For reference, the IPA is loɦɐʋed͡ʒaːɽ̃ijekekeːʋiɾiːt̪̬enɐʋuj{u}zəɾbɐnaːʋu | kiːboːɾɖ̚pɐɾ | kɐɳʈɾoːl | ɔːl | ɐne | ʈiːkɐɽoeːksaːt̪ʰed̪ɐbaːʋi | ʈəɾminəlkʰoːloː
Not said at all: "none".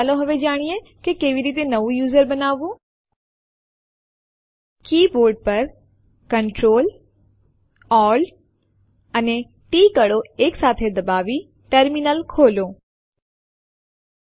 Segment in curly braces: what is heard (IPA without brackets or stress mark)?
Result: uː